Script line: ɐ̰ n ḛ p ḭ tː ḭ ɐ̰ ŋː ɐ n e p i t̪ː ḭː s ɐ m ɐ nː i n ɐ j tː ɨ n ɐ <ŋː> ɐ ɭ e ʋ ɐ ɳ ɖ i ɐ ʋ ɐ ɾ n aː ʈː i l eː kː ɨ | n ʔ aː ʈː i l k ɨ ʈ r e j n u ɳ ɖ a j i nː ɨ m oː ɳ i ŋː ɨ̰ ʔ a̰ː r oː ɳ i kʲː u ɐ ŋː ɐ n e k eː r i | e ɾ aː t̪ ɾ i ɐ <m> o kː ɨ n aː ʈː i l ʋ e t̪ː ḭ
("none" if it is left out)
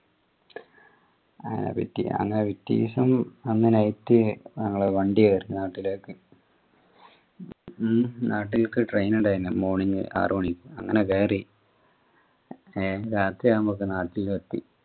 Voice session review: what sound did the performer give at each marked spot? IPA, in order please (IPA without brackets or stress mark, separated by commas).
ŋː, m